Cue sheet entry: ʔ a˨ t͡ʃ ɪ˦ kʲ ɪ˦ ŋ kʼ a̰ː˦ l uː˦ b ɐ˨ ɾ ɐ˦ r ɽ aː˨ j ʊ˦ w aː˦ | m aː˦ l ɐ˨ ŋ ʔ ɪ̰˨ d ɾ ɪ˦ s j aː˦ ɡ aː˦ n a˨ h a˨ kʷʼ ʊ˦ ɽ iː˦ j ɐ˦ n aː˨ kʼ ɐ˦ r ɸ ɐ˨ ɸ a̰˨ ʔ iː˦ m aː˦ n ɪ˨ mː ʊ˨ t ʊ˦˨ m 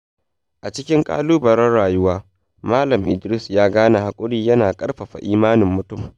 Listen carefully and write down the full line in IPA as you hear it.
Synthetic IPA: ʔ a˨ t͡ʃ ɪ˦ kʲ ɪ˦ ŋ kʼ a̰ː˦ l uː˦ b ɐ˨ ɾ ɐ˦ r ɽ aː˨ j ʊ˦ w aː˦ | m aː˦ l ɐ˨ m ʔ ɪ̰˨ d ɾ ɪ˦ s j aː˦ ɡ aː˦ n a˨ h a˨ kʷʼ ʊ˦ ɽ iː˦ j ɐ˦ n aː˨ kʼ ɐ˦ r ɸ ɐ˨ ɸ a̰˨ ʔ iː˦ m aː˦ n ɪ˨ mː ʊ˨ t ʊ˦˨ m